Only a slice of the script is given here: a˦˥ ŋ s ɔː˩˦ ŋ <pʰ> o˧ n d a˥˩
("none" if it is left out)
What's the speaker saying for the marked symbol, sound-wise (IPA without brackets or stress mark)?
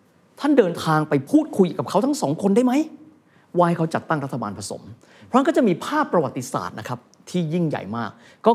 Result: kʰ